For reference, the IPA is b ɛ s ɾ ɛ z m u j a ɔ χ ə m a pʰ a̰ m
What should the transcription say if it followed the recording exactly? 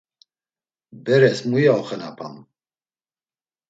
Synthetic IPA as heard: b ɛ ɾ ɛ s m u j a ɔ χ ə n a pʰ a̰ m